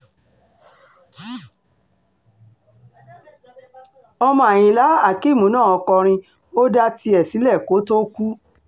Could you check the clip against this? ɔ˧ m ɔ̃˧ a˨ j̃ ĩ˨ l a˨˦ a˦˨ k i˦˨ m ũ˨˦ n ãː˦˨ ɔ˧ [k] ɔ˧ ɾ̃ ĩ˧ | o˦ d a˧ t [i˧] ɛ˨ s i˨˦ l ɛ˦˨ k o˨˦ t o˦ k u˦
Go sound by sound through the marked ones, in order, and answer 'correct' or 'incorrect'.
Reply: correct, correct

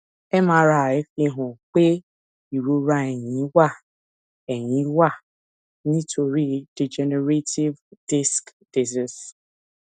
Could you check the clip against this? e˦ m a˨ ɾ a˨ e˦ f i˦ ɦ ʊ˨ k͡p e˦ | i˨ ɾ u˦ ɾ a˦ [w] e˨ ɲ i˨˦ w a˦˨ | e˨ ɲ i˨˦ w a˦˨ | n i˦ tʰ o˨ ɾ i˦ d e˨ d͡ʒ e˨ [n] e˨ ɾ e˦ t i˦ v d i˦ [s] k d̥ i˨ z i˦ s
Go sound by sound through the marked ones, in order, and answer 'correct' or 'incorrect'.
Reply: incorrect, correct, correct

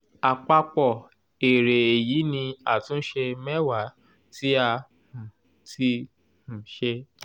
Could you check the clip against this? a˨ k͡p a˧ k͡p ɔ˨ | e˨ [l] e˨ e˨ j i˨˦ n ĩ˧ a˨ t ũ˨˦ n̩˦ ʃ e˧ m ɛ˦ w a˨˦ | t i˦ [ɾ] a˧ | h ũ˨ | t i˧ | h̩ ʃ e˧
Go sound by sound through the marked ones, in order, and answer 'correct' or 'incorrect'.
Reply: incorrect, incorrect

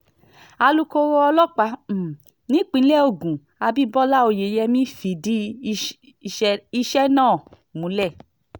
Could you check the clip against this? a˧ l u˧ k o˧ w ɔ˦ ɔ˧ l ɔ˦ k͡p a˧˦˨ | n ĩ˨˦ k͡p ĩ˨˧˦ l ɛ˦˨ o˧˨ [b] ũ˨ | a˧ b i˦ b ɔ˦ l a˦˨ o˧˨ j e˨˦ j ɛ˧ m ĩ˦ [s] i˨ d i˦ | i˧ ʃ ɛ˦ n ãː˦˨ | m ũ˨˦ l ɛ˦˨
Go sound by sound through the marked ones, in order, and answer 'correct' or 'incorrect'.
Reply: incorrect, incorrect

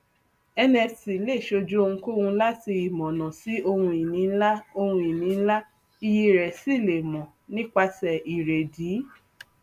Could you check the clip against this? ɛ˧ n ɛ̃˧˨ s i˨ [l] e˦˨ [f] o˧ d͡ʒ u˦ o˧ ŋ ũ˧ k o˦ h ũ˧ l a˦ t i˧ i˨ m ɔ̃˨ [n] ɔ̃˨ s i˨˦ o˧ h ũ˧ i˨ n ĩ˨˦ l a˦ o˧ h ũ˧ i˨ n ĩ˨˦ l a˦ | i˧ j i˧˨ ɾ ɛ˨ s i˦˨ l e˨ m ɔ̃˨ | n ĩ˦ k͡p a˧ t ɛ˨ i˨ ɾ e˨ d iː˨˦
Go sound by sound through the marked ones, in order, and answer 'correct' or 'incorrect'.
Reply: correct, incorrect, correct

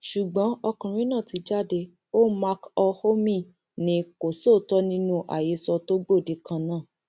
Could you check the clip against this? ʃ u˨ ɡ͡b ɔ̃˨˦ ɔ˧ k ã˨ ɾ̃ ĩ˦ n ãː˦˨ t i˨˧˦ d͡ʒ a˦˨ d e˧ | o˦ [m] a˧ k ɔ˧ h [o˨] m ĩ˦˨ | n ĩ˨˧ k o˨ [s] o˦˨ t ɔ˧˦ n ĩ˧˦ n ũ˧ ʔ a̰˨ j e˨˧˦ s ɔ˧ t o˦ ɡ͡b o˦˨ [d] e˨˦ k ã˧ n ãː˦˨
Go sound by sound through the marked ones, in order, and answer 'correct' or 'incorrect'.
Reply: correct, incorrect, correct, correct

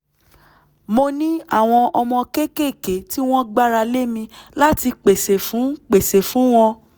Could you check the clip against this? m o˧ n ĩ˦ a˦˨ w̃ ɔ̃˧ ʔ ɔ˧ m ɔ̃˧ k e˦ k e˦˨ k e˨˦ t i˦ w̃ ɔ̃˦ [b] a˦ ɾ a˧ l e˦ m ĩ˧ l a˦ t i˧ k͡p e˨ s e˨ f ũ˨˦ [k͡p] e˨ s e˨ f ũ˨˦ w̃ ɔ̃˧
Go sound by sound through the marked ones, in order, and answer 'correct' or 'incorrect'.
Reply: incorrect, correct

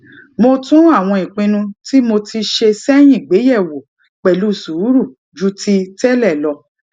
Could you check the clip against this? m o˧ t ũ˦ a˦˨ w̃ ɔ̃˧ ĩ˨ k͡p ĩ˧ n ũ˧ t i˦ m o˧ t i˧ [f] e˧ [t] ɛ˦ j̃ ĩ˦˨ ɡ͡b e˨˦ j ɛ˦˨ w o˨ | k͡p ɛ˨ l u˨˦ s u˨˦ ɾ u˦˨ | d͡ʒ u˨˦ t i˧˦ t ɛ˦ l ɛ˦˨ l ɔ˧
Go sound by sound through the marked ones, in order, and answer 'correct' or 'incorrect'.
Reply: incorrect, incorrect

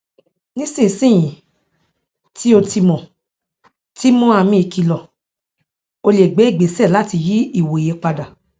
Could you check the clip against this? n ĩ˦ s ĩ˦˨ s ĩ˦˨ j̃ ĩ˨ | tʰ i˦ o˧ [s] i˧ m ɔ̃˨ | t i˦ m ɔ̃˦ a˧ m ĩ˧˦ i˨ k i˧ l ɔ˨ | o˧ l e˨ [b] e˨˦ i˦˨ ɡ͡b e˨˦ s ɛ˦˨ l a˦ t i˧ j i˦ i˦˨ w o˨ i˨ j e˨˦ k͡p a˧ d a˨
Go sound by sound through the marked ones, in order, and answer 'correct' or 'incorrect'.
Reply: incorrect, incorrect

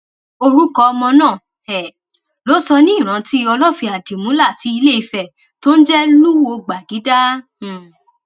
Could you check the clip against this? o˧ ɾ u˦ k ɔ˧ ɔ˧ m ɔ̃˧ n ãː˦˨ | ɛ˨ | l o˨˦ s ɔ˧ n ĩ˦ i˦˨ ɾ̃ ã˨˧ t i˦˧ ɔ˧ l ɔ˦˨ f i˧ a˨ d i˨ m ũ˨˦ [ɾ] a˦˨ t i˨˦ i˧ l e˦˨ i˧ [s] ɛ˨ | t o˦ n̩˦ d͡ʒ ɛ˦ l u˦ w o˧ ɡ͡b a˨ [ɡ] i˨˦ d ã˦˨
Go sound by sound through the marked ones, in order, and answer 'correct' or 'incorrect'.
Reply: incorrect, incorrect, correct

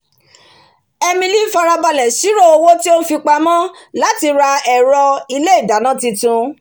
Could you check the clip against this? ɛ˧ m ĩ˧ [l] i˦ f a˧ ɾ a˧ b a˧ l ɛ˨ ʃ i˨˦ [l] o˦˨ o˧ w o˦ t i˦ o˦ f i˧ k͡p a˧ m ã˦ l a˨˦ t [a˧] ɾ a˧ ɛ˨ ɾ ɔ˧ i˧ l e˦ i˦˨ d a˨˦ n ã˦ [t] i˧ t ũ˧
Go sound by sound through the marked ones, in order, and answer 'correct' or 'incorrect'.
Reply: correct, incorrect, incorrect, correct

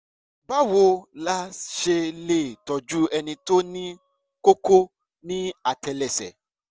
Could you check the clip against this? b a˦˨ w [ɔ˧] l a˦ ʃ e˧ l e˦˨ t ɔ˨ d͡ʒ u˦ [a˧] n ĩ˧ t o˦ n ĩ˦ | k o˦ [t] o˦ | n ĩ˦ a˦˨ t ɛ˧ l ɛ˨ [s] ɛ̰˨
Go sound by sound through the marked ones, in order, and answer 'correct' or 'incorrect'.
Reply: incorrect, incorrect, incorrect, correct

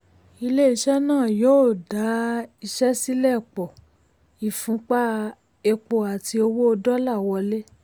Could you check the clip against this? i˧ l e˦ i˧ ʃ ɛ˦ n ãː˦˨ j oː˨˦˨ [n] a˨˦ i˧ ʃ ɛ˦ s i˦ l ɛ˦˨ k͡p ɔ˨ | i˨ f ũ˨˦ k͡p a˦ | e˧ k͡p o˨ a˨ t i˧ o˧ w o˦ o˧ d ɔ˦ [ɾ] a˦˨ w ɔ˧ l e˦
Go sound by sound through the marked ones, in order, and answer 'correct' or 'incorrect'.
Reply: incorrect, incorrect

